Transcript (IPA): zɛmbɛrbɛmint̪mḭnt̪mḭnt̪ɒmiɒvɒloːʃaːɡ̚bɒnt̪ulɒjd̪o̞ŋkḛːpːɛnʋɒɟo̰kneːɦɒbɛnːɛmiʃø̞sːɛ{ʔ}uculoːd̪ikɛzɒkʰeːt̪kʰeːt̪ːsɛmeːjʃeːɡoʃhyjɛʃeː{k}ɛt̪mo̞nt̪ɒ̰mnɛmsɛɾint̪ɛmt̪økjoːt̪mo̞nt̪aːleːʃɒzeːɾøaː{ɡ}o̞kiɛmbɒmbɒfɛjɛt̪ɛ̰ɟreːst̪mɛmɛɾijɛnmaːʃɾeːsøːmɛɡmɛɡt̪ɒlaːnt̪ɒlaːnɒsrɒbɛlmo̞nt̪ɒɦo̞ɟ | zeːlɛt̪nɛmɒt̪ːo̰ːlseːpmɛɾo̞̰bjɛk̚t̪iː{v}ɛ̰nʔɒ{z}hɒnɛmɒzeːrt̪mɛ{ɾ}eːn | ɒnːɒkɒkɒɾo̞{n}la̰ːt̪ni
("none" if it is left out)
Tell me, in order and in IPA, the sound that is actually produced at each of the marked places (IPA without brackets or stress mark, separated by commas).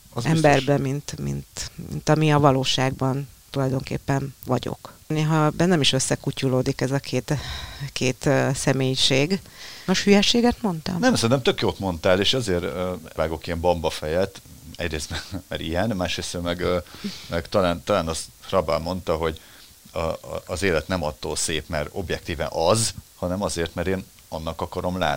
k, ɡ, ɡ, v, z, ɾ, m